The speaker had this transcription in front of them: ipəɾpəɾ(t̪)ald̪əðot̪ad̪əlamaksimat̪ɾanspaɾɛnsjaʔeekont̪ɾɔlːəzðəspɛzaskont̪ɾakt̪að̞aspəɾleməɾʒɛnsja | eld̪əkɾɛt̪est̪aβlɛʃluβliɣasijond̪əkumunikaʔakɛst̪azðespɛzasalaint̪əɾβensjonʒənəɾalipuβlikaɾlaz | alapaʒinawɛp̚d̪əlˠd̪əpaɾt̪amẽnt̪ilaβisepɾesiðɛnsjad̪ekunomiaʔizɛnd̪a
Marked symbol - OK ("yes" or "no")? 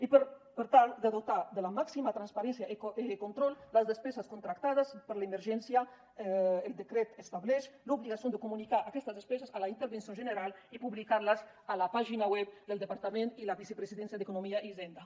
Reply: yes